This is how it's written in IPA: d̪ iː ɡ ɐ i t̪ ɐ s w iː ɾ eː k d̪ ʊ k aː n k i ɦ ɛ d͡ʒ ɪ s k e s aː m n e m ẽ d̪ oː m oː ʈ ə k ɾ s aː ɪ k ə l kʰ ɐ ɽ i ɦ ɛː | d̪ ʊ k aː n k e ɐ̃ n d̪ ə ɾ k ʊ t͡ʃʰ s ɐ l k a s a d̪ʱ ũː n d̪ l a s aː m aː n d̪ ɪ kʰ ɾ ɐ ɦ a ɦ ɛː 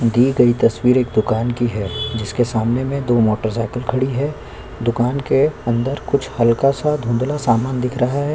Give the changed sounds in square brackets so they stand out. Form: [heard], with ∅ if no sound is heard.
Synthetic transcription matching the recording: d̪ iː ɡ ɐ i t̪ ɐ s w iː ɾ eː k d̪ ʊ k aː n k i ɦ ɛ d͡ʒ ɪ s k e s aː m n e m ẽ d̪ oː m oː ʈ ə [∅] ɾ s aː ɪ k ə l kʰ ɐ ɽ i ɦ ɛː | d̪ ʊ k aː n k e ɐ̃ n d̪ ə ɾ k ʊ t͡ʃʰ [h] ɐ l k a s a d̪ʱ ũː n d̪ l a s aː m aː n d̪ ɪ kʰ ɾ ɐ ɦ a ɦ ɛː